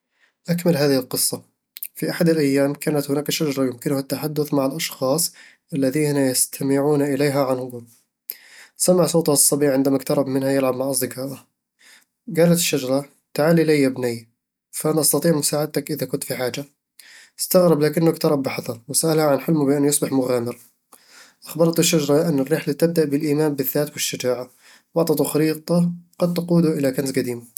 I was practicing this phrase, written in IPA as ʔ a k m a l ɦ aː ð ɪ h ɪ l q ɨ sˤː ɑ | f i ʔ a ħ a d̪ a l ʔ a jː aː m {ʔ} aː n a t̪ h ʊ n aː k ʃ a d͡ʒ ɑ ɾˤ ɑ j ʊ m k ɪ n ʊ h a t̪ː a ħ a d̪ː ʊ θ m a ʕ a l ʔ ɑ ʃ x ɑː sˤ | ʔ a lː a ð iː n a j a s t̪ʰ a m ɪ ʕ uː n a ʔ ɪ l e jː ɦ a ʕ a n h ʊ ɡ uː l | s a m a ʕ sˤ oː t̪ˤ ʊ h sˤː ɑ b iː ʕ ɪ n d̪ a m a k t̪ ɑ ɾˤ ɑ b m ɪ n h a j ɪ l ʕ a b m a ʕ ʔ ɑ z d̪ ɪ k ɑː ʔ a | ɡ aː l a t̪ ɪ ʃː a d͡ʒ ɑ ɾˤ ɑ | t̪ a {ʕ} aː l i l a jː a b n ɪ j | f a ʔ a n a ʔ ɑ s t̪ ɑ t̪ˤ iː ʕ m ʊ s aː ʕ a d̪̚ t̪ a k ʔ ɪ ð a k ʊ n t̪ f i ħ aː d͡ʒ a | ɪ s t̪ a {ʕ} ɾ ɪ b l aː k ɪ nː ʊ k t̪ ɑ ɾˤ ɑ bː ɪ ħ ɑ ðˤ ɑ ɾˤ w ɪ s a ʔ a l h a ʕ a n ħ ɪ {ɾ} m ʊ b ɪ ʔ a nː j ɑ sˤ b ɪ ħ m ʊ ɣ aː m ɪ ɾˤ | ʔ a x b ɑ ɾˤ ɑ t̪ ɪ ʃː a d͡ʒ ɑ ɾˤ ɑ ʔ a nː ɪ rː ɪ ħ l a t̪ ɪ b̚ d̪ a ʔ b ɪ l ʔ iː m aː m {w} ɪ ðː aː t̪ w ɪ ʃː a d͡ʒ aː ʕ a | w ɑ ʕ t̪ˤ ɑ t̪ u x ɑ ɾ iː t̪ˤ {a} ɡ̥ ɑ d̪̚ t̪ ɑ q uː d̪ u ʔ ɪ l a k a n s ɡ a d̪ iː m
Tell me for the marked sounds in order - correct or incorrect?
incorrect, correct, incorrect, incorrect, incorrect, incorrect

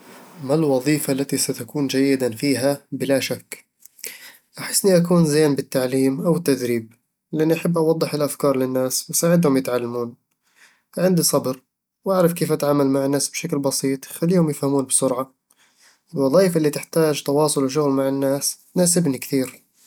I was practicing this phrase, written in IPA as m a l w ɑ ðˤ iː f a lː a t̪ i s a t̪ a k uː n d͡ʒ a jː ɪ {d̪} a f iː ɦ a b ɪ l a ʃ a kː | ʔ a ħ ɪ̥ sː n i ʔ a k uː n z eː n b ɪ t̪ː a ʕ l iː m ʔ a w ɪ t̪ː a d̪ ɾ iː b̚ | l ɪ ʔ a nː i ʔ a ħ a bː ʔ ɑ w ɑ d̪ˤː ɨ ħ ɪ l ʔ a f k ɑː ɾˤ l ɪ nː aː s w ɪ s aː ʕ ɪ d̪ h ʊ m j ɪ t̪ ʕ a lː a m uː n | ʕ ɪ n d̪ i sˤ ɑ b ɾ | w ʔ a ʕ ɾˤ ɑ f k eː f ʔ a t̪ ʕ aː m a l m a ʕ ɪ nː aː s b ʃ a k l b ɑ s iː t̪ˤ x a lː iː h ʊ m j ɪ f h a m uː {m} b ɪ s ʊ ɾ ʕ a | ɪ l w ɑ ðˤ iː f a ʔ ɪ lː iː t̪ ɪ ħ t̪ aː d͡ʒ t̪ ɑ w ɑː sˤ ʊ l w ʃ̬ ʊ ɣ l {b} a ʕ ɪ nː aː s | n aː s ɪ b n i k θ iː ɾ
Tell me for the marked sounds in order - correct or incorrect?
correct, incorrect, incorrect

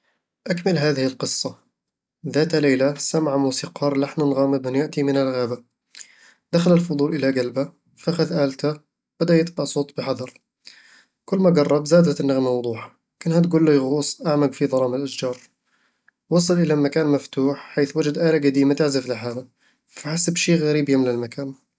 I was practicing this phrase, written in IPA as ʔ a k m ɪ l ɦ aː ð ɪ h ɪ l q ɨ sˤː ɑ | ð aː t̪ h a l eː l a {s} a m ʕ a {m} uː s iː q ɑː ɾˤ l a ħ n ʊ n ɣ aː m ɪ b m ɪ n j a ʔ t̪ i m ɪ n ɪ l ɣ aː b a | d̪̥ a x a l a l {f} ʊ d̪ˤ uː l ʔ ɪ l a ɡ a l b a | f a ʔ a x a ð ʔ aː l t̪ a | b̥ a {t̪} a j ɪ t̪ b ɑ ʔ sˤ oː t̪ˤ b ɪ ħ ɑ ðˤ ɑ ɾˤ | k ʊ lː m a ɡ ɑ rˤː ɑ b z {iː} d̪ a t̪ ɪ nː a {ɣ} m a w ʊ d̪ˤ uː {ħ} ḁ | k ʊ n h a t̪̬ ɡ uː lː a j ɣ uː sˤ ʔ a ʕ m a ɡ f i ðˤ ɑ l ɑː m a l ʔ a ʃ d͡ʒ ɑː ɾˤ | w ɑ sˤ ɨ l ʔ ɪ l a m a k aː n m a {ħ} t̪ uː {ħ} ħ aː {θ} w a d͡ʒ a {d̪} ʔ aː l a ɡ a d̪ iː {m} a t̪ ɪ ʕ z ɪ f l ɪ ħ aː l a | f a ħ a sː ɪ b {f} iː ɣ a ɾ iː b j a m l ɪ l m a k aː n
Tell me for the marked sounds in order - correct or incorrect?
correct, correct, correct, incorrect, incorrect, correct, correct, incorrect, correct, correct, correct, correct, incorrect

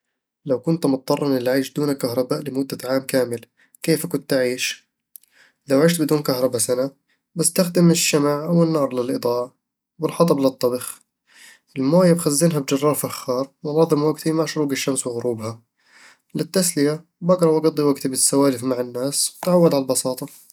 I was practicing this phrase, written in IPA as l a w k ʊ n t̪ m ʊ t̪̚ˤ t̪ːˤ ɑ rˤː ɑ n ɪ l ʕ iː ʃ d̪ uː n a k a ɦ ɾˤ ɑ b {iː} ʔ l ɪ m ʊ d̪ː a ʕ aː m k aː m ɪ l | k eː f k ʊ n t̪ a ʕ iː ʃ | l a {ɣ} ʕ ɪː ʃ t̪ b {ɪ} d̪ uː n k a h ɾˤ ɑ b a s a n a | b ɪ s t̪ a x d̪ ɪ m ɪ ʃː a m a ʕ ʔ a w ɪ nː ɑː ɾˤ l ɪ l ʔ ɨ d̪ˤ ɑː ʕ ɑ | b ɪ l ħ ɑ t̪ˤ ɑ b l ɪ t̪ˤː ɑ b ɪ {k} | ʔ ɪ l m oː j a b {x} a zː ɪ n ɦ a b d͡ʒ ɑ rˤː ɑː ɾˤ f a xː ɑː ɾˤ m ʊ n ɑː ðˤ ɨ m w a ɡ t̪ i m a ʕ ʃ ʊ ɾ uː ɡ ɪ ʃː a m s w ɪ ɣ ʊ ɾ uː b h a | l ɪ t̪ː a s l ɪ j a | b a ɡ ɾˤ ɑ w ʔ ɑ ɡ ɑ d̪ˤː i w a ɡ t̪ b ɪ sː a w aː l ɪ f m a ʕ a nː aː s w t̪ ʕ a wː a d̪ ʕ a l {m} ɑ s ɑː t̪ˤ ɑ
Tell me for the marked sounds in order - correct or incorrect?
incorrect, incorrect, correct, incorrect, correct, incorrect

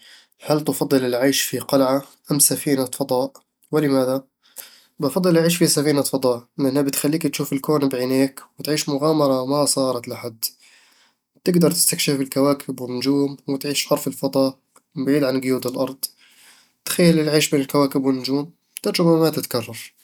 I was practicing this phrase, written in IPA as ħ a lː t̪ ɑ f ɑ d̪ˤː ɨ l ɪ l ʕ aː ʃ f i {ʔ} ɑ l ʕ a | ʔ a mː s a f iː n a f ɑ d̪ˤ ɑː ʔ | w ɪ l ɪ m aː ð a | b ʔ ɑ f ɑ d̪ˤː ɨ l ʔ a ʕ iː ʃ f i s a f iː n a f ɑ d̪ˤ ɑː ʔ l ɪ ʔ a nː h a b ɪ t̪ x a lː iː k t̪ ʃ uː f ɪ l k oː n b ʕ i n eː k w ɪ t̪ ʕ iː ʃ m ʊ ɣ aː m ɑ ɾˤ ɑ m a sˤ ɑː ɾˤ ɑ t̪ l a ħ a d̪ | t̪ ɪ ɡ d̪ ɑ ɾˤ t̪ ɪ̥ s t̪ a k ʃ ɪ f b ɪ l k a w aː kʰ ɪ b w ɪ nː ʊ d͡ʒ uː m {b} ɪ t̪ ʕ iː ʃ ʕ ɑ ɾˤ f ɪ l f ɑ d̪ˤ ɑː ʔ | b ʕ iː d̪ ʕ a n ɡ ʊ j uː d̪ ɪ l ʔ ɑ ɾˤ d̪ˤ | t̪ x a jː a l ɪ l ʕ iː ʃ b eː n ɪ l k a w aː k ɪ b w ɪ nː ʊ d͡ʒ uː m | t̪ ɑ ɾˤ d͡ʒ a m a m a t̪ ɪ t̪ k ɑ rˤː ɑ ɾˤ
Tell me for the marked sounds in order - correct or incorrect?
incorrect, incorrect

